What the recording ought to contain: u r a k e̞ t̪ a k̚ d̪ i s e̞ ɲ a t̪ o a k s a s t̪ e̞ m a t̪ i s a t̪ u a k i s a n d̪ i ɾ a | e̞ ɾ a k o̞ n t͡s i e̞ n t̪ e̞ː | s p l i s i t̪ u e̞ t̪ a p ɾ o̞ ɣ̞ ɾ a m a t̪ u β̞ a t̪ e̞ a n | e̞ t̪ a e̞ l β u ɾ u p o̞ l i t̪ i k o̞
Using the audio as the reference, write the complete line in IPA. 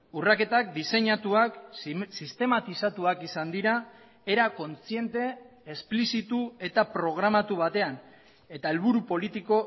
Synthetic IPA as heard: u r a k e̞ t̪ a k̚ d̪ i s e̞ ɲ a t̪ u a k s i s t̪ e̞ m a t̪ i s a t̪ u a k i s a n d̪ i ɾ a | e̞ ɾ a k o̞ n t͡s i e̞ n t̪ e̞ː | s p l i s i t̪ u e̞ t̪ a p ɾ o̞ ɣ̞ ɾ a m a t̪ u β̞ a t̪ e̞ a n | e̞ t̪ a e̞ l β u ɾ u p o̞ l i t̪ i k o̞